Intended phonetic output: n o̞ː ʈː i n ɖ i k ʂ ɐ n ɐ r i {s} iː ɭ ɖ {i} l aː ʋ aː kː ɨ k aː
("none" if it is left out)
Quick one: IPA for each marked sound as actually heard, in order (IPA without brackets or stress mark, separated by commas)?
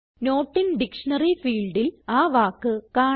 f, i